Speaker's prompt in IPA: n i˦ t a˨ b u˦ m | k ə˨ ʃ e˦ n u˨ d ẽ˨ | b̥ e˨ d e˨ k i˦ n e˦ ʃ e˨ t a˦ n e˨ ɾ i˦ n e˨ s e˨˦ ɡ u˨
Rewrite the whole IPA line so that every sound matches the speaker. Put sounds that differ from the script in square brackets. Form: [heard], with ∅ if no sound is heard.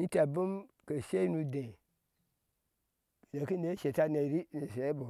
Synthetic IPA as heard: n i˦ t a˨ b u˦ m | k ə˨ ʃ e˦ n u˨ d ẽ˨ | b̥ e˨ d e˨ k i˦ n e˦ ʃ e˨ t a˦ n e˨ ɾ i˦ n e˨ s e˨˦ [b] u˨